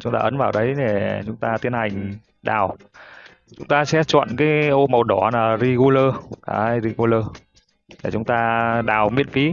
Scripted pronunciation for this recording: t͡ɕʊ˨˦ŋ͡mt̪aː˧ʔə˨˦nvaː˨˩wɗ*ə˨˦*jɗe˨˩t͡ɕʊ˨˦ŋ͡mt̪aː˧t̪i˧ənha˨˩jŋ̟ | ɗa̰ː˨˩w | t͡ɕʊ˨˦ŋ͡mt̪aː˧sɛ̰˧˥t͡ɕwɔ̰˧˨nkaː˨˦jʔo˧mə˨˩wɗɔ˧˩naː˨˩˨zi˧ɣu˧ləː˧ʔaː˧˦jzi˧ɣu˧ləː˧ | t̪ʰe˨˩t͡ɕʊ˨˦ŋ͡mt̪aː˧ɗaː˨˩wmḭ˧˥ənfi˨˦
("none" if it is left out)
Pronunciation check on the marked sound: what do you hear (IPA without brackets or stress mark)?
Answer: ə˨˦